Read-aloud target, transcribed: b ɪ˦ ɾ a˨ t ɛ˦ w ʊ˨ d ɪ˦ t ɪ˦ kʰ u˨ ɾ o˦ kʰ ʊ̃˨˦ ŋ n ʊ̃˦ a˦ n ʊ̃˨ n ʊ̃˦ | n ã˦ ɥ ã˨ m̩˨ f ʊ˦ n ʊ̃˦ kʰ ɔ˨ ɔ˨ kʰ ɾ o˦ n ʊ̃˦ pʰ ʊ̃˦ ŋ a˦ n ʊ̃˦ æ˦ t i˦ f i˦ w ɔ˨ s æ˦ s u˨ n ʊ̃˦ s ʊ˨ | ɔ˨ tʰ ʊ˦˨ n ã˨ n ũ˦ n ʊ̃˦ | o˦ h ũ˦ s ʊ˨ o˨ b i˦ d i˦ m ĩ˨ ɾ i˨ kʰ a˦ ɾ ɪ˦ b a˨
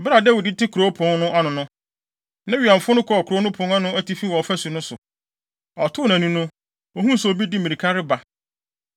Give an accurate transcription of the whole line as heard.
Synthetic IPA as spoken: b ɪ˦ ɾ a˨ d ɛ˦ w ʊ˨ d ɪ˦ t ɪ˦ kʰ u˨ ɾ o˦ pʰ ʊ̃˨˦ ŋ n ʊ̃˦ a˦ n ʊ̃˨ n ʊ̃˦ | n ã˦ ɥ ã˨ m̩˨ f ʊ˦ n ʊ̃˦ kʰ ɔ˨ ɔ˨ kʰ ɾ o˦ n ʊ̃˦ pʰ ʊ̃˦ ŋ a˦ n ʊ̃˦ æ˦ t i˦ f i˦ w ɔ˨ f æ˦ s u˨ n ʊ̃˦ s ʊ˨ | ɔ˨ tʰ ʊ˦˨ n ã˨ n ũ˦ n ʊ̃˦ | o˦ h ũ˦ s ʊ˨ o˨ b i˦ d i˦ m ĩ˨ ɾ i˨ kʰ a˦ ɾ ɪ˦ b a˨

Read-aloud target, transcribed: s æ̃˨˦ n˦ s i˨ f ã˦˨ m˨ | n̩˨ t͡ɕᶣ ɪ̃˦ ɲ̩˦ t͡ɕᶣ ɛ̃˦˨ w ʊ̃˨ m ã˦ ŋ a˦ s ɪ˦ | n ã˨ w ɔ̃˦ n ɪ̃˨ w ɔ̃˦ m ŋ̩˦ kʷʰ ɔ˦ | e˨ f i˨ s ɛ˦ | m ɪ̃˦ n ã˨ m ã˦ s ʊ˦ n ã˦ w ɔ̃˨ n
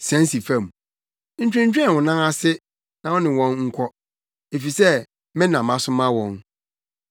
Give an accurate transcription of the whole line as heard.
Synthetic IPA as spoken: s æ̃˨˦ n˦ s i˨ f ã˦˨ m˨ | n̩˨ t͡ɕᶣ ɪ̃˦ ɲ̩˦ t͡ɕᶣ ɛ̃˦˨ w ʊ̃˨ n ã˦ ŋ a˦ s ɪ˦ | n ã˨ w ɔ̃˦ n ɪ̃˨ w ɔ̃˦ n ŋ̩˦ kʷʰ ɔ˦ | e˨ f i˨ s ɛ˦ | m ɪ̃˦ n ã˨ m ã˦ s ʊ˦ m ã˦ w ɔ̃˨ n

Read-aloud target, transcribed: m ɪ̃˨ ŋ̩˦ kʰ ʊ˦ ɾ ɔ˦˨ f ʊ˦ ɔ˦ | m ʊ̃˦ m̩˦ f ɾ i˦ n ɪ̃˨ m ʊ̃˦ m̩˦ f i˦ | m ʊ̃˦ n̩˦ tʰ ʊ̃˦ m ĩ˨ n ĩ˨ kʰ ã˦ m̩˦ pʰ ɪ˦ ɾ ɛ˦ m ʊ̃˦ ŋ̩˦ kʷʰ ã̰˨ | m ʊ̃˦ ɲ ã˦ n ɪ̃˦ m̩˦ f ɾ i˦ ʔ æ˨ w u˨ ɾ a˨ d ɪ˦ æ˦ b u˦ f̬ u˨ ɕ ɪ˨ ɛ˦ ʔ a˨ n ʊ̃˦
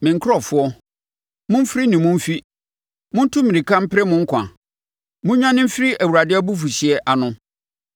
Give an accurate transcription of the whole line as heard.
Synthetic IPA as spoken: m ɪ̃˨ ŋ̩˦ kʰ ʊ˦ ɾ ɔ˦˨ f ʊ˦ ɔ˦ | m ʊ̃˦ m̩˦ f ɾ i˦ n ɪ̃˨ m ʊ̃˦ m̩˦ f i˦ | m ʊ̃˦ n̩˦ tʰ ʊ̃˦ m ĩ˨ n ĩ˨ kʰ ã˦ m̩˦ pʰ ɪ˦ ɾ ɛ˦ m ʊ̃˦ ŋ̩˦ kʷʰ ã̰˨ | m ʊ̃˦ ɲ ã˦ n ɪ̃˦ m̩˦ f ɾ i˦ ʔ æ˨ w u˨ ɾ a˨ d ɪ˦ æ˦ b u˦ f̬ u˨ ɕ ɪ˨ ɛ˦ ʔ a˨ n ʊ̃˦

